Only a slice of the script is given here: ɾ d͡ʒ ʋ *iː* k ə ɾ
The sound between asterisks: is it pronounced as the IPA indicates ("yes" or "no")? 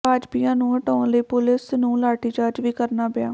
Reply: yes